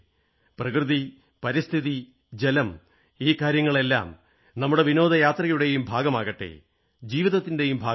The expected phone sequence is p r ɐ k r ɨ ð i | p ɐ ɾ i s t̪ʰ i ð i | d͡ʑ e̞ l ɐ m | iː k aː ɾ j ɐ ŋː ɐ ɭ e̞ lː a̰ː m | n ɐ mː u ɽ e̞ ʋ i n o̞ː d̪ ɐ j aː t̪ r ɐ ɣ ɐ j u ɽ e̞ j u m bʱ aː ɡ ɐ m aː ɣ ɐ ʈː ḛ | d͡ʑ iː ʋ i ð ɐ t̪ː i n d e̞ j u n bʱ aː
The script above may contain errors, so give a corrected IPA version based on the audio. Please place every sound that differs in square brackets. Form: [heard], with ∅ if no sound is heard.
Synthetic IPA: p r ɐ k r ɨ ð i | p ɐ ɾ i s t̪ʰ i ð i | d͡ʑ e̞ l ɐ m | iː k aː ɾ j ɐ ŋː ɐ ɭ e̞ lː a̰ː m | n ɐ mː u ɽ e̞ ʋ i n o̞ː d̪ ɐ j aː t̪ r ɐ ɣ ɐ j u ɽ e̞ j u m bʱ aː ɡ ɐ m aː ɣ ɐ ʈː ḛ | d͡ʑ iː ʋ i ð ɐ t̪ː i n d e̞ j u [m] bʱ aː